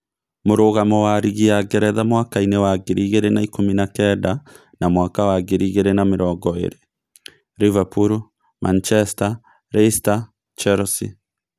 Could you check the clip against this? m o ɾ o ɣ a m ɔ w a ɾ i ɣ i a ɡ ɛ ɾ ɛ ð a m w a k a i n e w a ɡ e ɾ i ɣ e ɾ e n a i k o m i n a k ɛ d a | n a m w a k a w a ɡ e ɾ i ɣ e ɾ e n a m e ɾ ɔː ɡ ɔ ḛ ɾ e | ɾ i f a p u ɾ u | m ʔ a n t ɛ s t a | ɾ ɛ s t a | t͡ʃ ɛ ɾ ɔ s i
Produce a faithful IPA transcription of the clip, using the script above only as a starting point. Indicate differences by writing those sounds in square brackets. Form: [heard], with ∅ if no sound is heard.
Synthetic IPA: m o ɾ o ɣ a m ɔ w a ɾ i ɣ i a ɡ ɛ ɾ ɛ ð a m w a k a i n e w a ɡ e ɾ i ɣ e ɾ e n a i k o m i n a k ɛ d a | n a m w a k a w a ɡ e ɾ i ɣ e ɾ e n a m e ɾ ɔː ɡ ɔ ḛ ɾ e | ɾ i [v] a p u ɾ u | m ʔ a n [t͡ʃ] ɛ s t a | ɾ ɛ s t a | t͡ʃ ɛ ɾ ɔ s i